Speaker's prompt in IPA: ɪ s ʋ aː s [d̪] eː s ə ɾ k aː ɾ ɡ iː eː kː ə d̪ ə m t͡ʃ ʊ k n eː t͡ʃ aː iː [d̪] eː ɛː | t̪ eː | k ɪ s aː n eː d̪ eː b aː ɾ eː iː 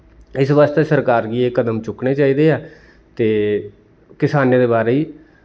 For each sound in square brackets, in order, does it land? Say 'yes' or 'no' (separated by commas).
no, yes